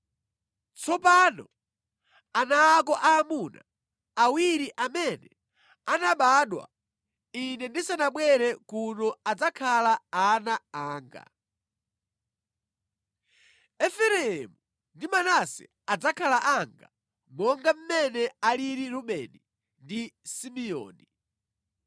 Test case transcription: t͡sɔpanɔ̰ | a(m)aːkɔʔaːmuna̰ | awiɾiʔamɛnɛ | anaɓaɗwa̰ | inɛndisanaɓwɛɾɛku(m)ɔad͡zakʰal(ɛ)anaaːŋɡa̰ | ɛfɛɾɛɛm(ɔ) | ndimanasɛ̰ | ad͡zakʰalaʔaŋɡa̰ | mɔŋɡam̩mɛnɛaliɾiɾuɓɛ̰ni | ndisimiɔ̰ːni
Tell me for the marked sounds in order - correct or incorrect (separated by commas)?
incorrect, incorrect, incorrect, incorrect